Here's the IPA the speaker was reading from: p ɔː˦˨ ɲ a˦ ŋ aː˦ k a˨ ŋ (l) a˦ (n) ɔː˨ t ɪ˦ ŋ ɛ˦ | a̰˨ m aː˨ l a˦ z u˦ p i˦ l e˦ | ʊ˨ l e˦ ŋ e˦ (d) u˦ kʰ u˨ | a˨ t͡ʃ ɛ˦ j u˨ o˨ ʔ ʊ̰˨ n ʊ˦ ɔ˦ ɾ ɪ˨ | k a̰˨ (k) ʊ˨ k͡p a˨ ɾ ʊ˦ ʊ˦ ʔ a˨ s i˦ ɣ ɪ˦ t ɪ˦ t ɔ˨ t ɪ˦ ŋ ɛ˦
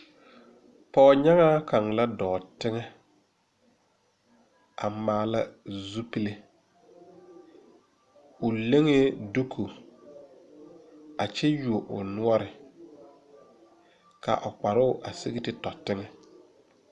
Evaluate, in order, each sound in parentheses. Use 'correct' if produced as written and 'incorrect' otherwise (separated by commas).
correct, incorrect, correct, incorrect